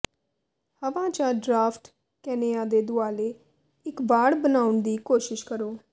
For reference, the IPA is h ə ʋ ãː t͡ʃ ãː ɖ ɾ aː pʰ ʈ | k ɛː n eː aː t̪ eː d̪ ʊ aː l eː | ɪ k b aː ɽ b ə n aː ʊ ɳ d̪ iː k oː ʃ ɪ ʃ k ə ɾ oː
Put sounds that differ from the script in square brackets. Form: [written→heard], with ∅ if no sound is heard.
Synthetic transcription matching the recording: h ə ʋ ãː t͡ʃ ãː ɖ ɾ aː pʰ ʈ | k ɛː n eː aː [t̪→d̪] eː d̪ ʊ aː l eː | ɪ k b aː ɽ b ə n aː ʊ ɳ d̪ iː k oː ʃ ɪ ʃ k ə ɾ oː